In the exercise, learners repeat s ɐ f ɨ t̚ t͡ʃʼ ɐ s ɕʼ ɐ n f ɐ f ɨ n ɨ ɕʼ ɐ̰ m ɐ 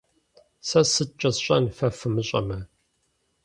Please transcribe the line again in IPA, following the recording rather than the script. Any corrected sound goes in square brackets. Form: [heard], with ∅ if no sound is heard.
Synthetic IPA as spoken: s ɐ [s] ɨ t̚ t͡ʃʼ ɐ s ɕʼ ɐ n f ɐ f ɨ [m] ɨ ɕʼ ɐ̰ m ɐ